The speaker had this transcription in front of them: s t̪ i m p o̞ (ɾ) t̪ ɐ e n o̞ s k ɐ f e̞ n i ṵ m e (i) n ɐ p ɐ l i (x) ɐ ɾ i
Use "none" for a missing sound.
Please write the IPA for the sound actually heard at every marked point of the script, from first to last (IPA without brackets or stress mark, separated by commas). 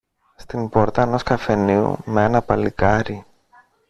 ɾ, e, k